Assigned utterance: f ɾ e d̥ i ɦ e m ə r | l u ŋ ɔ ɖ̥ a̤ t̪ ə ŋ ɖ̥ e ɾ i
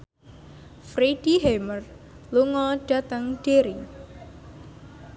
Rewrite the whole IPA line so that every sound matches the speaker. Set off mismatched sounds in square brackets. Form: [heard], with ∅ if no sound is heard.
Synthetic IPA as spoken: f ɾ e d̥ i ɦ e m ə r | l u ŋ ɔ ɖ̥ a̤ t̪ ə ŋ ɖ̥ e ɾ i